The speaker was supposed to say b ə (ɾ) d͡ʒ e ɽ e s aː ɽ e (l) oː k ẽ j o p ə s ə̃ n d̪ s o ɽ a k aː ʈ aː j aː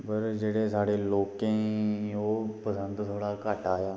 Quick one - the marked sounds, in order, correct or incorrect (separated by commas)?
correct, correct